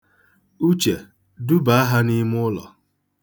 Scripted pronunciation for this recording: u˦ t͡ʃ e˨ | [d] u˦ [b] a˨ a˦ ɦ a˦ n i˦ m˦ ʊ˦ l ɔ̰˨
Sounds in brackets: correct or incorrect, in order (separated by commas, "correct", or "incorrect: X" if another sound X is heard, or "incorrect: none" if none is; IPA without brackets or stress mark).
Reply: correct, correct